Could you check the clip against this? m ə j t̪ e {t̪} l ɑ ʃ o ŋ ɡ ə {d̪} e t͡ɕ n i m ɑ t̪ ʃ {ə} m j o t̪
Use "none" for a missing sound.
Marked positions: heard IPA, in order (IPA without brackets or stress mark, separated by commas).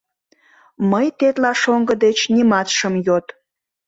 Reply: t̪, d̪, ə